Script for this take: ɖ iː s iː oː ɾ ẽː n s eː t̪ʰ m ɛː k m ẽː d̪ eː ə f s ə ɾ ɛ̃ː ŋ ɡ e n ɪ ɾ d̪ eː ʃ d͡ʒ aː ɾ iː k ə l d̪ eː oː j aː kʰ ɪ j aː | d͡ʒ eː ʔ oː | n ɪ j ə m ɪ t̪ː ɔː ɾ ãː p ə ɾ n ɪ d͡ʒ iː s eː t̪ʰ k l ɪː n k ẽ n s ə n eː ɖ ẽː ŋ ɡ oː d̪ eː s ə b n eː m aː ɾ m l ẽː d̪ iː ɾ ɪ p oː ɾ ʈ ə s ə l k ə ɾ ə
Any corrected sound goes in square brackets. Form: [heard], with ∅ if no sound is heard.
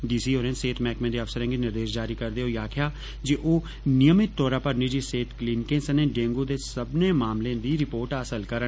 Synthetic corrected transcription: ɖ iː s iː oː ɾ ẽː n s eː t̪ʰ m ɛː k m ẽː d̪ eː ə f s ə ɾ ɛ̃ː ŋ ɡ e n ɪ ɾ d̪ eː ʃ d͡ʒ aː ɾ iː k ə [ɾ] d̪ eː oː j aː kʰ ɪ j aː | d͡ʒ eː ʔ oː | n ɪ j ə m ɪ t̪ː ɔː ɾ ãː p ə ɾ n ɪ d͡ʒ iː s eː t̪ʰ k l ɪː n k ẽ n s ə n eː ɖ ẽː ŋ ɡ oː d̪ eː s ə b n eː m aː [∅] m l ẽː d̪ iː ɾ ɪ p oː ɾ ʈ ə s ə l k ə ɾ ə

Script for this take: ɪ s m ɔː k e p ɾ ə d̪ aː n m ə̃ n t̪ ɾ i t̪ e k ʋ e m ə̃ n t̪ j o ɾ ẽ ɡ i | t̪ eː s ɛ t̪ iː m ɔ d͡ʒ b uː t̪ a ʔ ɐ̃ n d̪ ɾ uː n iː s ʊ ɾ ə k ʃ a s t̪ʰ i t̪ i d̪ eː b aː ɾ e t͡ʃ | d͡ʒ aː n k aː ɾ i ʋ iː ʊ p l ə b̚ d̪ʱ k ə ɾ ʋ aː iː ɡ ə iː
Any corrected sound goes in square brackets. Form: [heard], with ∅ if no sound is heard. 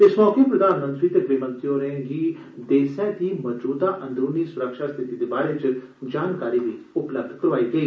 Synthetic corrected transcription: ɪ s m ɔː k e p ɾ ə d̪ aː n m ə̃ n t̪ ɾ i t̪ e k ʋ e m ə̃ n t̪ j o ɾ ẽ ɡ i | [d̪] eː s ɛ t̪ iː m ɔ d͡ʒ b uː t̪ a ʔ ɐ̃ n d̪ ɾ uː n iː s ʊ ɾ ə k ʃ a s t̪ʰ [ɪ] t̪ i d̪ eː b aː ɾ e t͡ʃ | d͡ʒ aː n k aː ɾ i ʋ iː ʊ p l ə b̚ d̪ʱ k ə ɾ ʋ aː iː ɡ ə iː

